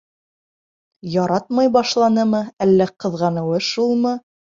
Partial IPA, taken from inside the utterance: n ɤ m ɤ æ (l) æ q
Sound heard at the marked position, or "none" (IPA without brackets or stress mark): lː